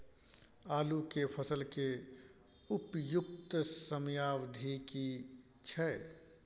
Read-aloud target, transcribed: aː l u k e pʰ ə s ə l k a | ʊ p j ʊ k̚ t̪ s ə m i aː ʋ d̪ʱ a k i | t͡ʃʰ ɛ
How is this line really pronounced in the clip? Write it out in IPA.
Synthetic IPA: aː l u k e pʰ ə s ə l k e | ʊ p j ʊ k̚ t̪ s ə m j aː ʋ d̪ʱ i k i | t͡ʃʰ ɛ